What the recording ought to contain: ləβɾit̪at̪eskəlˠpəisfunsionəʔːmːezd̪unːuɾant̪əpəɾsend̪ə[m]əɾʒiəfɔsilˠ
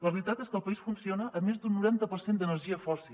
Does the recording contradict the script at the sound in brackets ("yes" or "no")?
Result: yes